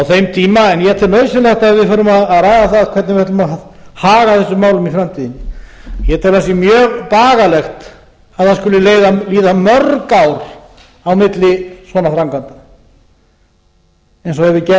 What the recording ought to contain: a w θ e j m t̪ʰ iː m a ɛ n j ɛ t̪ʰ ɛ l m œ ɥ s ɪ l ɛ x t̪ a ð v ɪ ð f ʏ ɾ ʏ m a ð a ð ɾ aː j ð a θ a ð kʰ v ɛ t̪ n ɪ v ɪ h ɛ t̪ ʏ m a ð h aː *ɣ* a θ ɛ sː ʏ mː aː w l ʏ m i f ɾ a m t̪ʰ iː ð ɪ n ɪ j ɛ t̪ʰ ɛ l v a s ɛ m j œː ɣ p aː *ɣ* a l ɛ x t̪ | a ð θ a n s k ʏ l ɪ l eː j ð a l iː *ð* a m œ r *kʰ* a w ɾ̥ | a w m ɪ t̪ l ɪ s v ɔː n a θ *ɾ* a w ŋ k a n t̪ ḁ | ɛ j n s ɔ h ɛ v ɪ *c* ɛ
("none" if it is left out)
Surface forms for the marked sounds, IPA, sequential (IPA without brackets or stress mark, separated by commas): ɣ, ɣ, ð, k, ɾ, c